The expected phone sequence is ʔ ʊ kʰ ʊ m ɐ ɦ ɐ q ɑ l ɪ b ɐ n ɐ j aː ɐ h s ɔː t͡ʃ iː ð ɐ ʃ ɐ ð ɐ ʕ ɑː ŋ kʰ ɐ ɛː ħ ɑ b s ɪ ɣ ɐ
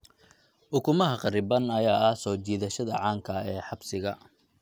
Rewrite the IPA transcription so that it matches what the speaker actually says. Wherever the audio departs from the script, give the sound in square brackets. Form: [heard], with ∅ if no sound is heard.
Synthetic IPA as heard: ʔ ʊ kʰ ʊ m ɐ ɦ ɐ q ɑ [ɾ] ɪ b ɐ n ɐ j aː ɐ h s ɔː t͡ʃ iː ð ɐ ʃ ɐ ð ɐ ʕ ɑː ŋ kʰ ɐ ɛː ħ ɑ b s ɪ ɣ ɐ